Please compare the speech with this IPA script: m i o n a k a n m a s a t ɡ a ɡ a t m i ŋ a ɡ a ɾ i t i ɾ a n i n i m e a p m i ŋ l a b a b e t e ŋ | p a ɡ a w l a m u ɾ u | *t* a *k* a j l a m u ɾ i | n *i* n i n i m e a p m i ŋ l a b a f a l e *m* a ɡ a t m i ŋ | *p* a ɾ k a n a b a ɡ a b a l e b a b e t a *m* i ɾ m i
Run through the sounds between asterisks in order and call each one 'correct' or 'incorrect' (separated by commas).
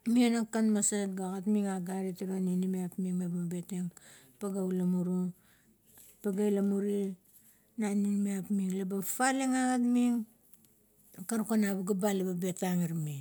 incorrect, incorrect, incorrect, incorrect, incorrect, incorrect